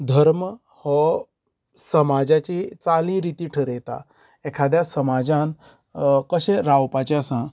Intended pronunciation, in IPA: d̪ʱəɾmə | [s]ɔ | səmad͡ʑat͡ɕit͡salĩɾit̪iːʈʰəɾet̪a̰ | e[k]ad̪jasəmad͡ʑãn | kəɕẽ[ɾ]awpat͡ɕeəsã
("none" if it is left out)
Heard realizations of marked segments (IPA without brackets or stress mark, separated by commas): h, kʰ, ɾ